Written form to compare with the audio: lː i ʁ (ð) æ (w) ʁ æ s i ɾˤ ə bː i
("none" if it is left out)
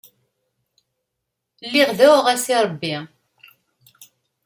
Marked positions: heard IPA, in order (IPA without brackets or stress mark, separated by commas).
ð, w